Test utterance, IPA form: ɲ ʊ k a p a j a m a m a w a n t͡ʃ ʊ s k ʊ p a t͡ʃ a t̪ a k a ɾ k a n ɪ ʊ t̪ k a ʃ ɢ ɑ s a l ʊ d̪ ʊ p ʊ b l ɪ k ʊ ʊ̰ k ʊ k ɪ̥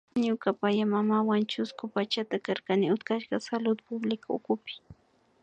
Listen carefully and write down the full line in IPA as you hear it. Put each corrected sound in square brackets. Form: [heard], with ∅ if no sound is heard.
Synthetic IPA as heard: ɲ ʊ k a p a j a m a m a w a n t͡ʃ ʊ s k ʊ p a t͡ʃ a t̪ a k a ɾ k a n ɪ ʊ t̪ k a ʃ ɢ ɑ s a l ʊ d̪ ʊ p ʊ b l ɪ k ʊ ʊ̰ k ʊ [p] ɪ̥